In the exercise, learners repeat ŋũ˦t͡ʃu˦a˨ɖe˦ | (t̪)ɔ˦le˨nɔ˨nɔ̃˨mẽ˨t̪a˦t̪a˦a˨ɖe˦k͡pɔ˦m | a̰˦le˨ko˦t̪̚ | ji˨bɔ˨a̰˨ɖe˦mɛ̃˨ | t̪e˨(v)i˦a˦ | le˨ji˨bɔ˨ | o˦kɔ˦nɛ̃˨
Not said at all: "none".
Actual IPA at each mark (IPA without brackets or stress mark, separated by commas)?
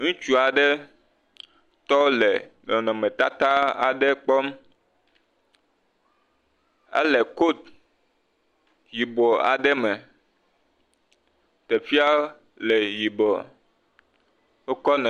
t̪, f